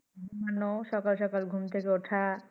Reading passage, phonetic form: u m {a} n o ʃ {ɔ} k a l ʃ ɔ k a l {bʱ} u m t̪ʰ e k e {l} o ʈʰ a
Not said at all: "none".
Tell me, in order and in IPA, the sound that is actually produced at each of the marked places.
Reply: a, ɔ, ɡʱ, none

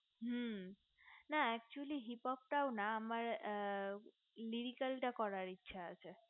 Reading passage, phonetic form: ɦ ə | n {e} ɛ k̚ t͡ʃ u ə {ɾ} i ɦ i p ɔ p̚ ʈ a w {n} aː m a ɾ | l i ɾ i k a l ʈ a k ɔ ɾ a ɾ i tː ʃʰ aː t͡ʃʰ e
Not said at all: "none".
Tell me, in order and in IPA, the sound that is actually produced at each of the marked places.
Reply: a, l, n

